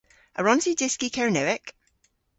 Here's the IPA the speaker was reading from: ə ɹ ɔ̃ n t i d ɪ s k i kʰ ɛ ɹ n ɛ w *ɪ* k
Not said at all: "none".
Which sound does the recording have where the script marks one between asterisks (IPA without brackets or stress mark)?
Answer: ɪ